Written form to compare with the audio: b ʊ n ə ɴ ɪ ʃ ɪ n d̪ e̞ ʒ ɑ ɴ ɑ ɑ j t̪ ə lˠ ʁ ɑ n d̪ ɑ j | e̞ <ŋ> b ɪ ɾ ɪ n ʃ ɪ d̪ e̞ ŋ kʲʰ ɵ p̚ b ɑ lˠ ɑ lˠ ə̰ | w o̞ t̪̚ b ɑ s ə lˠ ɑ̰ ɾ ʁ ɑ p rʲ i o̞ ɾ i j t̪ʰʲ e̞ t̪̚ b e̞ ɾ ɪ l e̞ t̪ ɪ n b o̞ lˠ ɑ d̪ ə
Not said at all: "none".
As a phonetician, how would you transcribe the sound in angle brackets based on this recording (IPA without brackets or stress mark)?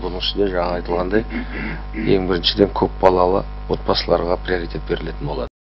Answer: ŋ